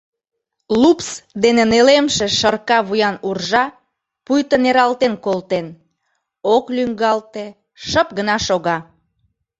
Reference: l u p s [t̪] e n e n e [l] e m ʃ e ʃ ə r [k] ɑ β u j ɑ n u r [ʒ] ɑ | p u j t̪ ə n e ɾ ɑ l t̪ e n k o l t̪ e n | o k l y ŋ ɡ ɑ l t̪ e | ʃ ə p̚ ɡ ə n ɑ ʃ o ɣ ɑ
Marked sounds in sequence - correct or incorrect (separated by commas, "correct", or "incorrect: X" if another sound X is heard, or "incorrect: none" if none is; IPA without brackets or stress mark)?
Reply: incorrect: d̪, correct, correct, correct